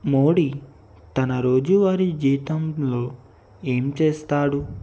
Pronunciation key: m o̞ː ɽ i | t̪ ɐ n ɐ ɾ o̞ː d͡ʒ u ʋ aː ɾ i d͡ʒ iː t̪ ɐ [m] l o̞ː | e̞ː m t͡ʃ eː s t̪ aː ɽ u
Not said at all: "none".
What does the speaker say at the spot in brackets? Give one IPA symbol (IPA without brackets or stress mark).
m